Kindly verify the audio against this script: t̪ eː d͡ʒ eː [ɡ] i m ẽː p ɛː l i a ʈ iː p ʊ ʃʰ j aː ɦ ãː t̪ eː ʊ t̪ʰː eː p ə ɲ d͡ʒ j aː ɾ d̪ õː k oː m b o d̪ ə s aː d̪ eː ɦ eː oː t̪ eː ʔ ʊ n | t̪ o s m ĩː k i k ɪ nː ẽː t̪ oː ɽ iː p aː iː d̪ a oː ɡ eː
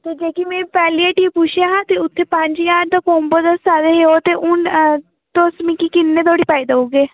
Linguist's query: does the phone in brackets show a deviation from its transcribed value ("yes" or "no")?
yes